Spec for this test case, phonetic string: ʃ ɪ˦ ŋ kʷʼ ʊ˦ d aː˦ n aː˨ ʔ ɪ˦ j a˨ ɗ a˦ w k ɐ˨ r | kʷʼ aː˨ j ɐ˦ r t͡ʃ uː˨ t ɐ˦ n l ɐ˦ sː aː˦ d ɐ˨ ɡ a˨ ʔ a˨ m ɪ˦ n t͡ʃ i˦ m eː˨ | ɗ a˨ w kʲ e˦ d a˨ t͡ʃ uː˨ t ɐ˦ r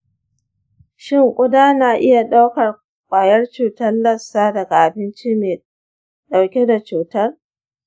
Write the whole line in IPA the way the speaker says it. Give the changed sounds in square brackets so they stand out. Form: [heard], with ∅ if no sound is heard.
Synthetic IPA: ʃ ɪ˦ ŋ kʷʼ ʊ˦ d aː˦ n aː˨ ʔ ɪ˦ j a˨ ɗ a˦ w k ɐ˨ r | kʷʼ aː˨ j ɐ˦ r t͡ʃ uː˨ t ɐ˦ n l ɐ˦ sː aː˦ d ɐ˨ ɡ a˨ ʔ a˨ [b] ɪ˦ n t͡ʃ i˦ m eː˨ | ɗ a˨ w kʲ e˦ d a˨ t͡ʃ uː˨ t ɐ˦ r

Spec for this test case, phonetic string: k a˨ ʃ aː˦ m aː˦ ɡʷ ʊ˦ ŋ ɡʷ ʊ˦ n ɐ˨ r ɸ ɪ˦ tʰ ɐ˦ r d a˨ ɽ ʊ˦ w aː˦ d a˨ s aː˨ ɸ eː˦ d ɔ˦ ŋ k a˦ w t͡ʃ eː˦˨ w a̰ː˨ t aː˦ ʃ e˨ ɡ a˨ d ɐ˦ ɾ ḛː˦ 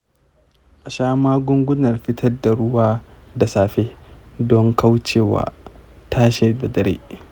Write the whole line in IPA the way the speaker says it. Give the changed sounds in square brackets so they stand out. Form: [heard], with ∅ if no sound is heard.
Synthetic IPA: [ʔ] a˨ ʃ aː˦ m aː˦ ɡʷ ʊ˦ ŋ ɡʷ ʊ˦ n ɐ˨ r ɸ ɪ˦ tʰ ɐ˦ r d a˨ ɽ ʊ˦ w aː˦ d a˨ s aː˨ ɸ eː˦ d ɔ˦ ŋ k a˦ w t͡ʃ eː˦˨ w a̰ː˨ t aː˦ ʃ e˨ [d] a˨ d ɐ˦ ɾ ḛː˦

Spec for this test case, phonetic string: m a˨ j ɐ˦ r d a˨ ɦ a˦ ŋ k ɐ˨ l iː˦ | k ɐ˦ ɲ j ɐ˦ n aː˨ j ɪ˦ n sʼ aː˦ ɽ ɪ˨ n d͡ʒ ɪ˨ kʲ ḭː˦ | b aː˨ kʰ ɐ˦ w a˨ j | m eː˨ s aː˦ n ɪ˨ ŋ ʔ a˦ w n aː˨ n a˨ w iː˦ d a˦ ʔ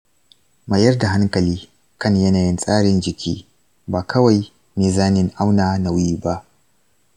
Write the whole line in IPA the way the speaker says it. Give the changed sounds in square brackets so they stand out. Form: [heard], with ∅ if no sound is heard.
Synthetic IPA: m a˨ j ɐ˦ r d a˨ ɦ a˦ ŋ k ɐ˨ l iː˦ | k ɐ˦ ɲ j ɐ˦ n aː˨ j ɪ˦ n sʼ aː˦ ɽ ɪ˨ n d͡ʒ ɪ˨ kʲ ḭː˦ | b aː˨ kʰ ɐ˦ w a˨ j | m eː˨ [z] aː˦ n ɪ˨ ŋ ʔ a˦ w n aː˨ n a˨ w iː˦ [b] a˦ ʔ

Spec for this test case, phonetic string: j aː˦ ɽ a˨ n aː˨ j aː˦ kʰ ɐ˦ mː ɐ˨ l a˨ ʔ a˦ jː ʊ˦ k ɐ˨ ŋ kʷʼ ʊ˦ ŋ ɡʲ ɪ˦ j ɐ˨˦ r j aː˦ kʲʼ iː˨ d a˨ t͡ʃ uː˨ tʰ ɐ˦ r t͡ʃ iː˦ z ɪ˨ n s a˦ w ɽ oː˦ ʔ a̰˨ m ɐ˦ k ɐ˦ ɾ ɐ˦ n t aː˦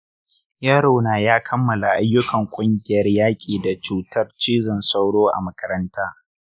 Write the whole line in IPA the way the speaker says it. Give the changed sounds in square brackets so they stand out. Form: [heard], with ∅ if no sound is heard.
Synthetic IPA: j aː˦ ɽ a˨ n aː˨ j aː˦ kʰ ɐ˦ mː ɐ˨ l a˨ ʔ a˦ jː ʊ˦ k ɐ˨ ŋ kʷʼ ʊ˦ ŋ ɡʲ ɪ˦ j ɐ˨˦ r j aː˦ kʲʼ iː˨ d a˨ t͡ʃ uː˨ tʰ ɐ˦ r t͡ʃ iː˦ z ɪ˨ n s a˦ w ɽ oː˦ ʔ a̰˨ m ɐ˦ k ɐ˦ ɾ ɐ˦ n t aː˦

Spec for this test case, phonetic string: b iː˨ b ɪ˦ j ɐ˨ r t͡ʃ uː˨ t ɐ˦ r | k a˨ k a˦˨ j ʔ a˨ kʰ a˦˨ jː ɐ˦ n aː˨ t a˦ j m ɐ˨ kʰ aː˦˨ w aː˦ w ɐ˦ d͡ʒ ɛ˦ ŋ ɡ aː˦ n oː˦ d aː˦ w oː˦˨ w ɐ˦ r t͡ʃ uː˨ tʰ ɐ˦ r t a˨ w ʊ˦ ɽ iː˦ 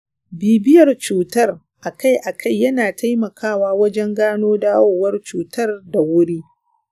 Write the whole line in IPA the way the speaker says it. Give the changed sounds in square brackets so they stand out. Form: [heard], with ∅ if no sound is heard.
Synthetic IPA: b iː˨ b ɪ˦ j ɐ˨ r t͡ʃ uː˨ t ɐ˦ r | [ʔ] a˨ k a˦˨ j ʔ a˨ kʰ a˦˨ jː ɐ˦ n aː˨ t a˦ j m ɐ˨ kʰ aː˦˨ w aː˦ w ɐ˦ d͡ʒ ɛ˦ ŋ ɡ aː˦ n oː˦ d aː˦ w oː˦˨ w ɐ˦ r t͡ʃ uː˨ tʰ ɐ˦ r [d] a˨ w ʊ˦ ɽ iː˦

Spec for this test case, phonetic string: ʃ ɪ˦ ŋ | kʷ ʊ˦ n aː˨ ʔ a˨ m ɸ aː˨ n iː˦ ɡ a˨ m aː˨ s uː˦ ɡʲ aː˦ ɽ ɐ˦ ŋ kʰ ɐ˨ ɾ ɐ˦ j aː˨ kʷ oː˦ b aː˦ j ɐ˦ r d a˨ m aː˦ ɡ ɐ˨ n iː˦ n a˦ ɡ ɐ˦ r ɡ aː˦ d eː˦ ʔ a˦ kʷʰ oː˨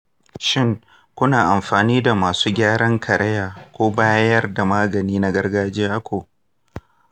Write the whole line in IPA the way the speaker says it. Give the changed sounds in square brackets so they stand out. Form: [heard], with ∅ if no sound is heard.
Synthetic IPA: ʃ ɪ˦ ŋ | kʷ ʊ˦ n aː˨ ʔ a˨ m ɸ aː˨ n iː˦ [d] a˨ m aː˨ s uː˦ ɡʲ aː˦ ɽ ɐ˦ ŋ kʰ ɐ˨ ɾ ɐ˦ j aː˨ kʷ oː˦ b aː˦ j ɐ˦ r d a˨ m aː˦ ɡ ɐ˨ n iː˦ n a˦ ɡ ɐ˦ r ɡ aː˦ [d͡ʒ] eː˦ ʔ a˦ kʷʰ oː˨

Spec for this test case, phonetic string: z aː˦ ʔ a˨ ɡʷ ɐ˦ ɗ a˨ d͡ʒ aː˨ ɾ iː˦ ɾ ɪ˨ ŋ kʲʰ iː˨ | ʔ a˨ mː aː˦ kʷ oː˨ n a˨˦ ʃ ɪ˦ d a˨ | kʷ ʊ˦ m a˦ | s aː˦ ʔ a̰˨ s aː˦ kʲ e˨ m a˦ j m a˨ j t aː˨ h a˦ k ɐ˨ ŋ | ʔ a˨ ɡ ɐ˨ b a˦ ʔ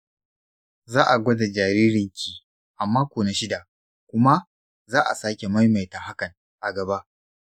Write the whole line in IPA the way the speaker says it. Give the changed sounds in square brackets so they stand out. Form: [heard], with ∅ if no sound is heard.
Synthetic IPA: z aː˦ ʔ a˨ ɡʷ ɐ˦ [d] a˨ d͡ʒ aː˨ ɾ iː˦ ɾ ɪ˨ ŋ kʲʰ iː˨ | ʔ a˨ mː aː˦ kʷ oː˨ n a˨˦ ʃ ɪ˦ d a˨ | kʷ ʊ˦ m a˦ | [z] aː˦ ʔ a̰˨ s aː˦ kʲ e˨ m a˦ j m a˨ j t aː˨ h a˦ k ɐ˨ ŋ | ʔ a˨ ɡ ɐ˨ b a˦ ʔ

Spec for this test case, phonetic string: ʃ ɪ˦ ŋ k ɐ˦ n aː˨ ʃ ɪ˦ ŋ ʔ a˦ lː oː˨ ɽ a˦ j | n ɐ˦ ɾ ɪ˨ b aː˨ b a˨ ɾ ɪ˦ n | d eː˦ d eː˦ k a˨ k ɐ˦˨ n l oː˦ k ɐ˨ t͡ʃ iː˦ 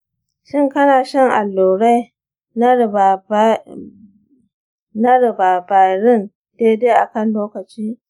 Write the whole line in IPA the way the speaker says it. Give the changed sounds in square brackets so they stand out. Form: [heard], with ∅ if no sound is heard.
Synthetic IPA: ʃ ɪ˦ ŋ k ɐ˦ n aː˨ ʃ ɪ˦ ŋ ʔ [a˨] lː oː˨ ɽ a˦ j | n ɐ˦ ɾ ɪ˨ b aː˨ b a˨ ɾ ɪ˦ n | d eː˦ d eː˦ [ʔ] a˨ k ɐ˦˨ n l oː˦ k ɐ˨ t͡ʃ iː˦

